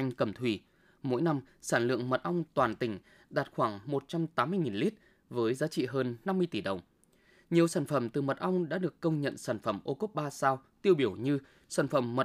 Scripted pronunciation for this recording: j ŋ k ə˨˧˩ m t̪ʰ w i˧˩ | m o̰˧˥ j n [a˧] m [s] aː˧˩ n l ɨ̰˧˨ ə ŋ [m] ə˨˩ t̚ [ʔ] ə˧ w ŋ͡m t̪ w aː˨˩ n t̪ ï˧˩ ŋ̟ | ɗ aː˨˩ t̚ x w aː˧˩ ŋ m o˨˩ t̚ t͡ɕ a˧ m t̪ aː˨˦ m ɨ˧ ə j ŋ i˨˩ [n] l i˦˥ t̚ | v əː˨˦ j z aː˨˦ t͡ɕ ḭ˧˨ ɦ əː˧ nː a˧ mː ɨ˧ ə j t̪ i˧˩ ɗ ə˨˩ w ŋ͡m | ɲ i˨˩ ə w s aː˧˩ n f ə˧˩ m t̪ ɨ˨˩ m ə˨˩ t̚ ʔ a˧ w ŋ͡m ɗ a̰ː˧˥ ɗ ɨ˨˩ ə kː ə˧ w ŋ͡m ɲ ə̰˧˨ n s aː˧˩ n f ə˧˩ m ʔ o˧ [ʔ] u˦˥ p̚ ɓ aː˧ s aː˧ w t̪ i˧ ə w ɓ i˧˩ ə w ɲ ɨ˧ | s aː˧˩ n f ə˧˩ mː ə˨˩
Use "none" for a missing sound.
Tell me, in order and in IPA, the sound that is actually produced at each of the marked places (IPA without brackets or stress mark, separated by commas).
a˧, s, m, ʔ, n, k